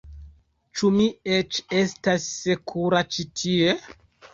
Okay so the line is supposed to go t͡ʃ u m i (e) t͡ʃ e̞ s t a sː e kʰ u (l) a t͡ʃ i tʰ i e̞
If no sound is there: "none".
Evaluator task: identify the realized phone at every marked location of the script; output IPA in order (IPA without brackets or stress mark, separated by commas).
e, ɾ